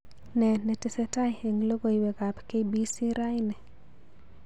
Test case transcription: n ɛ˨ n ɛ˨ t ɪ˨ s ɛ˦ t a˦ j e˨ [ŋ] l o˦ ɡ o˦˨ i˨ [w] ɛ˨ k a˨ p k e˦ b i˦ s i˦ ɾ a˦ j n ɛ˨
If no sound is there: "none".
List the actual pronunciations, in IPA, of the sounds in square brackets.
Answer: ŋ, w

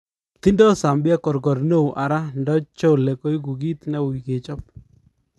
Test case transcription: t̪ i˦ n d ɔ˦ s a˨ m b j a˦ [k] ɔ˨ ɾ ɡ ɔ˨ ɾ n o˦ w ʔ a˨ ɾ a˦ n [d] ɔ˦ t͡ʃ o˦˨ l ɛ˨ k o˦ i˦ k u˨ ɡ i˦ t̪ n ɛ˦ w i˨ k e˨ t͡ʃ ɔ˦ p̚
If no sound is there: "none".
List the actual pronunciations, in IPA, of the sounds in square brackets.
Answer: k, d

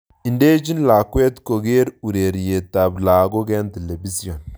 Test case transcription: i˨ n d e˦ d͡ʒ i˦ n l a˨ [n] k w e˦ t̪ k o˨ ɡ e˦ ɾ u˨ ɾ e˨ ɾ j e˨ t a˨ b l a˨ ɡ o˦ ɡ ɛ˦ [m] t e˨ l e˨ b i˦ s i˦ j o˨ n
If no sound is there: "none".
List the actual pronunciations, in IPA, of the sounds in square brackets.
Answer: none, n

